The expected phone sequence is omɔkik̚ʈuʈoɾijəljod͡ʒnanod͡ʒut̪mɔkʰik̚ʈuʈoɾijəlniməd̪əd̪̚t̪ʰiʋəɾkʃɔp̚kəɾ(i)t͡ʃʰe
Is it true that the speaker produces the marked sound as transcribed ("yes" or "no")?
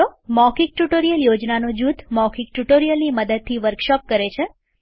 no